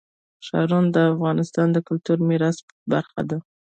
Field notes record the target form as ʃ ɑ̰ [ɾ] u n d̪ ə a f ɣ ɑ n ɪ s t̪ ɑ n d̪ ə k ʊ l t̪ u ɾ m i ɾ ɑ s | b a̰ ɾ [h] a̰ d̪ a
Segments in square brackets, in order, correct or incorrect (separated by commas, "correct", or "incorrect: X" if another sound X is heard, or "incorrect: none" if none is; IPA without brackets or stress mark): correct, incorrect: x